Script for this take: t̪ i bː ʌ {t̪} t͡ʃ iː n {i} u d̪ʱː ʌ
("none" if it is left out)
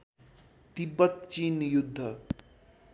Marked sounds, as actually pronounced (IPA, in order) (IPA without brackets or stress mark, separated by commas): t̪, j